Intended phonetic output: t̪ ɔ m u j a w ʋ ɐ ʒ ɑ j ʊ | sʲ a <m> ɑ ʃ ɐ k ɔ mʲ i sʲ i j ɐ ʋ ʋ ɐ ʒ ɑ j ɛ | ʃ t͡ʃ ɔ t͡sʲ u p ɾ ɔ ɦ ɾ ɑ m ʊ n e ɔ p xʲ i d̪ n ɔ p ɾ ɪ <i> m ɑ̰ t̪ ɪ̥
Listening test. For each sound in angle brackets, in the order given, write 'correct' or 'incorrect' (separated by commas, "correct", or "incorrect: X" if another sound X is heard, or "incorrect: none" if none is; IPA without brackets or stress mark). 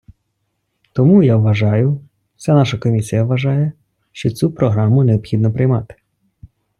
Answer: incorrect: n, incorrect: j